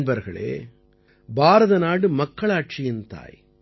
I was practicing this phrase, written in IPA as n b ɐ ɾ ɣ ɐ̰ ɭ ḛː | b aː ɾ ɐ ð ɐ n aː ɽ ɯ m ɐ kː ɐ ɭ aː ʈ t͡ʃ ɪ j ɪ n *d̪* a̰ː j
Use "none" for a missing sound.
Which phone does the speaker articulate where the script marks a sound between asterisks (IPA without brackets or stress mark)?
t̪